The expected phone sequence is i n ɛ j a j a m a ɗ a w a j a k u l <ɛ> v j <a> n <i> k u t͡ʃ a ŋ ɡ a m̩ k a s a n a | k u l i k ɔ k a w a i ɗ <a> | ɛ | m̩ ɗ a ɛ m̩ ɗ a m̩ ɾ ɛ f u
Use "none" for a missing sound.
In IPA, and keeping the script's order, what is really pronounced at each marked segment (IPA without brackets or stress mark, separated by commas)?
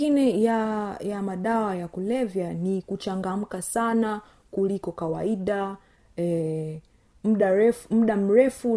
ɛ, a, i, a